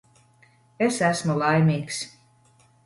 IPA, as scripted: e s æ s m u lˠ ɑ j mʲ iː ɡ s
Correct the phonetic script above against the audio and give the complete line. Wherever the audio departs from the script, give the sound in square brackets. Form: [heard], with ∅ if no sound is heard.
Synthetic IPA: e s æ s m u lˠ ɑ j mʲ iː [k] s